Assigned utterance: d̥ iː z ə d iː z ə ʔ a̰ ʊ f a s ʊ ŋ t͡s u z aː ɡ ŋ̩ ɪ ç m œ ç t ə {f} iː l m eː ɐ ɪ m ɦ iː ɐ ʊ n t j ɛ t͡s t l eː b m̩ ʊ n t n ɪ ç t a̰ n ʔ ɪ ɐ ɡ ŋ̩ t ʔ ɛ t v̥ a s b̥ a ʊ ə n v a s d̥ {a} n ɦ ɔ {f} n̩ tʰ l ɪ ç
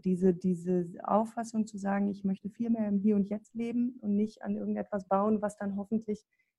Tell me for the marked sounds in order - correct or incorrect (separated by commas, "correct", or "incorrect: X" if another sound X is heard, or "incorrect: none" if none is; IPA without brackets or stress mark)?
correct, correct, correct